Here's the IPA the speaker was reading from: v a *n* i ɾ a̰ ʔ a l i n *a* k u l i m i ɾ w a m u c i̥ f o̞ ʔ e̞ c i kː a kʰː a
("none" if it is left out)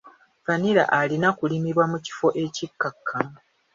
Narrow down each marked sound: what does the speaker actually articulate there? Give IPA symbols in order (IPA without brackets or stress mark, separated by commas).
n, a